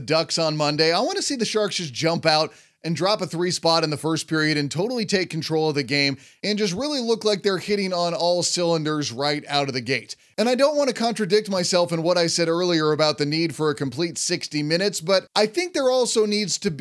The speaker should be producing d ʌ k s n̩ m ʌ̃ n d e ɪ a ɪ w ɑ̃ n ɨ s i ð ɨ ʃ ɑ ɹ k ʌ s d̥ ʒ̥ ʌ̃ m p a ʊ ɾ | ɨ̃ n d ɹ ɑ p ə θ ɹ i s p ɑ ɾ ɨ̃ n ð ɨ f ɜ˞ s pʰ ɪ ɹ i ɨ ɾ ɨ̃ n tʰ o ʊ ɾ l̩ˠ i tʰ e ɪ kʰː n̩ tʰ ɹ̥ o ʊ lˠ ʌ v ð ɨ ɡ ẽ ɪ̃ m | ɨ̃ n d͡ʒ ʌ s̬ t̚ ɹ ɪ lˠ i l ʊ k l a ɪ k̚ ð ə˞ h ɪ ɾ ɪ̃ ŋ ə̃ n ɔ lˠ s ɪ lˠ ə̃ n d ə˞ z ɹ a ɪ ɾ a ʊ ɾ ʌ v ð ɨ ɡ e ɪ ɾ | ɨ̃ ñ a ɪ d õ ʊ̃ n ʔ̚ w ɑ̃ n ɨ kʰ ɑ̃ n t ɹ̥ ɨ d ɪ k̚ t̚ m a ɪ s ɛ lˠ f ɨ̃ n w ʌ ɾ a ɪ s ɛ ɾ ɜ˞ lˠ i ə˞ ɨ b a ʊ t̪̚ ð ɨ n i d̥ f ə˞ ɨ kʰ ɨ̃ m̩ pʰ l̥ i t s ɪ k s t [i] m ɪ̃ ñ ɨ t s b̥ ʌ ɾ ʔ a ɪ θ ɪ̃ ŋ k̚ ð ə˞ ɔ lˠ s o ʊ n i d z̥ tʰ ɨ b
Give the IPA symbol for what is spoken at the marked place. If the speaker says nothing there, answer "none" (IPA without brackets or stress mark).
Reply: i